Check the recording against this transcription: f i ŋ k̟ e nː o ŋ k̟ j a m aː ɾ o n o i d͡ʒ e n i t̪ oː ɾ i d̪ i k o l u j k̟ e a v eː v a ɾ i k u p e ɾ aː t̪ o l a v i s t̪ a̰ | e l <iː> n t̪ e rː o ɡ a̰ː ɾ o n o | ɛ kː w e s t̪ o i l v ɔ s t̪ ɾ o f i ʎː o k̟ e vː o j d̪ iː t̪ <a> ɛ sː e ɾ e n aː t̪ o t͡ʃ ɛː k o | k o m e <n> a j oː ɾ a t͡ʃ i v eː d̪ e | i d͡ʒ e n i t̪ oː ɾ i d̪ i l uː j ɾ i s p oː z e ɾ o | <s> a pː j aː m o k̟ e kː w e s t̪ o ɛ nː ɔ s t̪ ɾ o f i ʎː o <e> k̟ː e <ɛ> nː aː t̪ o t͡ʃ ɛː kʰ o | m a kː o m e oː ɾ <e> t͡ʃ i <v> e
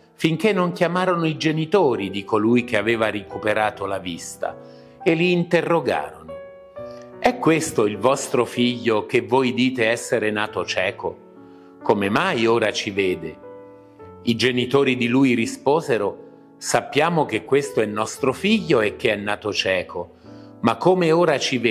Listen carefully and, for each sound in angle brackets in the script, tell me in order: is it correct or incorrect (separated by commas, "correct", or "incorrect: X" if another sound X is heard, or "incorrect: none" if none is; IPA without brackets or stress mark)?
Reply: correct, incorrect: e, incorrect: m, correct, correct, correct, incorrect: a, correct